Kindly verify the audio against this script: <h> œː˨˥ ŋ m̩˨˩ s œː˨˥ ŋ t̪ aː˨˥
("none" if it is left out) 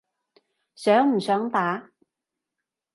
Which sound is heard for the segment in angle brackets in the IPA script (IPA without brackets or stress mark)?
s